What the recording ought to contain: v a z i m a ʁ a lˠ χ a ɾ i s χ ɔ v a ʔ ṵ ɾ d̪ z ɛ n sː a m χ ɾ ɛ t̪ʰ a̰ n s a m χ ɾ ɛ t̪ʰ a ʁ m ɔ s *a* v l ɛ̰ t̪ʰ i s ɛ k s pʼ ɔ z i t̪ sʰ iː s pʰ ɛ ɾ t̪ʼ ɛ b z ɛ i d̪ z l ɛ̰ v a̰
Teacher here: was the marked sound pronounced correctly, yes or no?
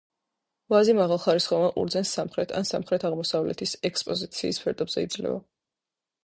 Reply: yes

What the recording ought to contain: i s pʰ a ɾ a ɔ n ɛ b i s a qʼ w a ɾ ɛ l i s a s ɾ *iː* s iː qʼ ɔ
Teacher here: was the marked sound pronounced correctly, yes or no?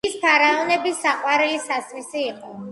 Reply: no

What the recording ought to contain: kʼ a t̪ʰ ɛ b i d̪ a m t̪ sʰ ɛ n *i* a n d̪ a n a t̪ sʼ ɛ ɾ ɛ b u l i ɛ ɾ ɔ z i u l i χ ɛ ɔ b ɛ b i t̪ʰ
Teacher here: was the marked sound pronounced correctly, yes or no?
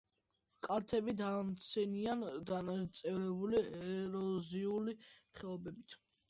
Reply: yes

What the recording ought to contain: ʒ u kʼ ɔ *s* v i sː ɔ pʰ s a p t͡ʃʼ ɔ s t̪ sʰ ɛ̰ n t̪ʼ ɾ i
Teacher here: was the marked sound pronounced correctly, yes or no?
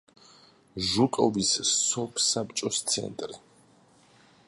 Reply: no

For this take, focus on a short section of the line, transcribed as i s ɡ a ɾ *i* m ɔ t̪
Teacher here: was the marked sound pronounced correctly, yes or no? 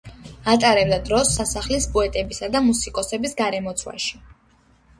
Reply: no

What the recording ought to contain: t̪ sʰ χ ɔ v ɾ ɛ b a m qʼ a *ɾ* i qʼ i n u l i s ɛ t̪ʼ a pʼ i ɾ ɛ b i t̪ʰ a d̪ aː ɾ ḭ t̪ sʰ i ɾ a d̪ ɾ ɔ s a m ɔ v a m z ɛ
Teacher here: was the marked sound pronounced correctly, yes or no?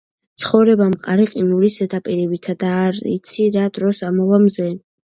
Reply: yes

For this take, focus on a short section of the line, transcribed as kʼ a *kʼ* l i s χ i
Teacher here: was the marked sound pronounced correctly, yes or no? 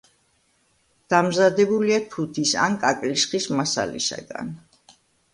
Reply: yes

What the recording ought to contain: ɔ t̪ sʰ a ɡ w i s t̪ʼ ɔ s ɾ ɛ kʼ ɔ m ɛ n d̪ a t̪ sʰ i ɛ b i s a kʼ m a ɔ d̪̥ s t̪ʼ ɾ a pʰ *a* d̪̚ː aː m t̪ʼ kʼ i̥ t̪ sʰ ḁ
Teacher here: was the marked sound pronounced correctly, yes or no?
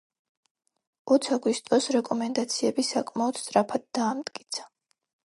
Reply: yes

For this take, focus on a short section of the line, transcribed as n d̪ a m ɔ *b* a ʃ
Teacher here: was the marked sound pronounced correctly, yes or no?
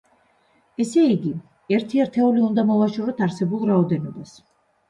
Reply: no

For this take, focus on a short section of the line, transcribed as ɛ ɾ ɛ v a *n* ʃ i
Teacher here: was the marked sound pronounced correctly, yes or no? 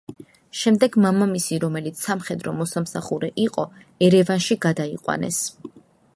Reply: yes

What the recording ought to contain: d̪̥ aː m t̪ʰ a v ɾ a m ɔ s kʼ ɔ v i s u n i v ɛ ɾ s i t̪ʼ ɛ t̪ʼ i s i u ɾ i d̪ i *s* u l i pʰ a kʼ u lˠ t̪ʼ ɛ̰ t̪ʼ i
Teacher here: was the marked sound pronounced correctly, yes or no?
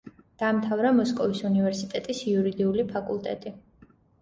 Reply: no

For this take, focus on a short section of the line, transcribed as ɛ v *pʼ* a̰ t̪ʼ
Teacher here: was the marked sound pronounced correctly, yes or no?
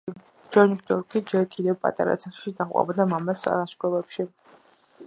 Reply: yes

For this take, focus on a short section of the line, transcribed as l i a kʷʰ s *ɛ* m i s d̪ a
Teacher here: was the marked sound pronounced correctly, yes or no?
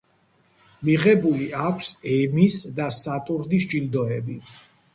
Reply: yes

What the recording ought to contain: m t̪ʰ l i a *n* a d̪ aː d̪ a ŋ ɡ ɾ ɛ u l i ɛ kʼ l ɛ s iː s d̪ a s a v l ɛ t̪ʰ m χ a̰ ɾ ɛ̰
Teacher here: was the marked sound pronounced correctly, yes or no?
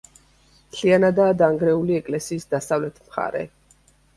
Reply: yes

